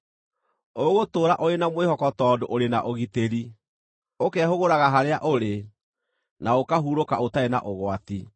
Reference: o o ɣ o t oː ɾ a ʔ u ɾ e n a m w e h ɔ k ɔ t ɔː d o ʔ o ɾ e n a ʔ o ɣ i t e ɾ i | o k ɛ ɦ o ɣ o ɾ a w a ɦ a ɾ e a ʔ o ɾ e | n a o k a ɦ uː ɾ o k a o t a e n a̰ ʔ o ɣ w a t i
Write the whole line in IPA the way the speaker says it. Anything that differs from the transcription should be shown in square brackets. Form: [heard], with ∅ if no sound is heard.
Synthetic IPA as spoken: o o ɣ o t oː ɾ a ʔ [o] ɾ e n a m w e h ɔ k ɔ t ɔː d o ʔ o ɾ e n a ʔ o ɣ i t e ɾ i | o k ɛ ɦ o ɣ o ɾ a [ɣ] a ɦ a ɾ e a ʔ o ɾ e | n a o k a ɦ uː ɾ o k a o t a e n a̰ ʔ o ɣ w a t i